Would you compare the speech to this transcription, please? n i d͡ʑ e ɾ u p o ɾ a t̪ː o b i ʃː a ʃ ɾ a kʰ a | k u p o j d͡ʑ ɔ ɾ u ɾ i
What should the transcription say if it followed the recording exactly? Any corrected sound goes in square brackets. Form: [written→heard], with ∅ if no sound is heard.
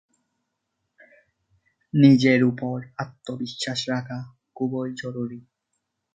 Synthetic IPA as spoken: n i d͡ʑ e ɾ u p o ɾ a t̪ː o b i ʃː a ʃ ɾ a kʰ a | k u [p→b] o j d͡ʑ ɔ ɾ u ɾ i

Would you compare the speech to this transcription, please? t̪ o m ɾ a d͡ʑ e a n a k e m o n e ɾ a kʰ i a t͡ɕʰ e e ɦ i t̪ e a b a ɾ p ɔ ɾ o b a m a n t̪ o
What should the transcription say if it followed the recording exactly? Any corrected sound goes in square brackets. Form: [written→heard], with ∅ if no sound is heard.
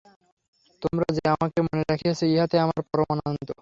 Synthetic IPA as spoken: t̪ o m ɾ a d͡ʑ e a [n→m] a k e m o n e ɾ a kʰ i a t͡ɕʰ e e ɦ [i→a] t̪ e a [b→m] a ɾ p ɔ ɾ o [b→m] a [m→n] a n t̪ o

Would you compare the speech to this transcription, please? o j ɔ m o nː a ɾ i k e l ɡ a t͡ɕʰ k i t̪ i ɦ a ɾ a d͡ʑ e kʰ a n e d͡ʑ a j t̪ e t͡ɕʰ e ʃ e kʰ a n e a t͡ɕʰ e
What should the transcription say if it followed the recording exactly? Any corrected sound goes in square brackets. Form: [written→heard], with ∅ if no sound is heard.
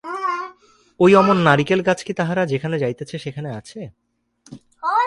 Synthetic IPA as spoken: o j ɔ m o nː a ɾ i k e l ɡ a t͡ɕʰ k i t̪ [i→a] ɦ a ɾ a d͡ʑ e kʰ a n e d͡ʑ a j t̪ e t͡ɕʰ e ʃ e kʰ a n e a t͡ɕʰ e

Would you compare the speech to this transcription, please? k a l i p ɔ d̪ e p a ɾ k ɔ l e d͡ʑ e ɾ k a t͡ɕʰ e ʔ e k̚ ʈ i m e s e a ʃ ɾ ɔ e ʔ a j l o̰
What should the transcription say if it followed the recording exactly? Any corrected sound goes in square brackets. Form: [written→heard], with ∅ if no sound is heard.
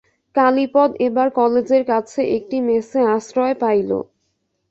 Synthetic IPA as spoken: k a l i p ɔ d̪ e [p→b] a ɾ k ɔ l e d͡ʑ e ɾ k a t͡ɕʰ e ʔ e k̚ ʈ i m e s e a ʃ ɾ ɔ e [ʔ→p] a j l o̰

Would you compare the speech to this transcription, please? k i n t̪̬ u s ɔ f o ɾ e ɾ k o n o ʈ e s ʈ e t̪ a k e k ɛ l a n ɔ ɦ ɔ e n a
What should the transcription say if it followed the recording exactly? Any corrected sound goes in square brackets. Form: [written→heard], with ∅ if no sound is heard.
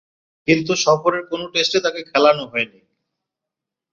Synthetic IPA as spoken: k i n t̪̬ u [s→ʃ] ɔ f o ɾ e ɾ k o n o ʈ e s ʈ e t̪ a k e [k→kʰ] ɛ l a n [ɔ→o] ɦ ɔ e n [a→i]

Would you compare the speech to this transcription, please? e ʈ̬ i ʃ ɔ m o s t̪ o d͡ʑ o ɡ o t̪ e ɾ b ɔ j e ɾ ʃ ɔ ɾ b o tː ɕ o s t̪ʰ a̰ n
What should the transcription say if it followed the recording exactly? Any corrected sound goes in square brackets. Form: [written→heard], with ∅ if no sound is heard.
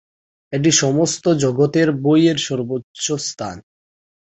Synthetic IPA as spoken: e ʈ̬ i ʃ ɔ m o s t̪ o d͡ʑ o ɡ o t̪ e ɾ b [ɔ→o] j e ɾ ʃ ɔ ɾ b o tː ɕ o s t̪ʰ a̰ n

